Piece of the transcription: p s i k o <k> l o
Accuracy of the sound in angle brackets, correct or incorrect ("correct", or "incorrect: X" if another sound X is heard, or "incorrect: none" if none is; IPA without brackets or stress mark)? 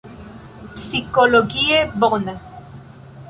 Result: incorrect: none